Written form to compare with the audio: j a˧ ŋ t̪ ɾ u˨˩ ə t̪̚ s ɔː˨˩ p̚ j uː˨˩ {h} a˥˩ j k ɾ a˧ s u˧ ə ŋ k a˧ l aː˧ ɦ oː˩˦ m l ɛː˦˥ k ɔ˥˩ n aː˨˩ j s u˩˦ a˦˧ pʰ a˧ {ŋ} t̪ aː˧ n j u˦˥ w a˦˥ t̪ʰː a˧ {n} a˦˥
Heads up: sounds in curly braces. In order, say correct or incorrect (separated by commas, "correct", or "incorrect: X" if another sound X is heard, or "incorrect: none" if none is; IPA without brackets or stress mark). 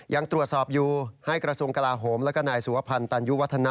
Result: correct, incorrect: n, correct